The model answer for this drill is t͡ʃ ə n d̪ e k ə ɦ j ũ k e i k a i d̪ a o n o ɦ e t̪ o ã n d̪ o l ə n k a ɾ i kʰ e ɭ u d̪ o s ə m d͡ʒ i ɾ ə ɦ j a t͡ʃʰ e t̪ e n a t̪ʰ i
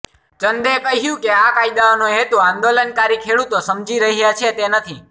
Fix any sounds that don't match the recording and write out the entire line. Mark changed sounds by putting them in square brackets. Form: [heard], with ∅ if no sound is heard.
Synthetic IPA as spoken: t͡ʃ ə n d̪ e k ə ɦ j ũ k e [a] k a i d̪ a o n o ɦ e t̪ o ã n d̪ o l ə n k a ɾ i kʰ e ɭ u [t̪] o s ə m d͡ʒ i ɾ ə ɦ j a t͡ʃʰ e t̪ e n [ə] t̪ʰ i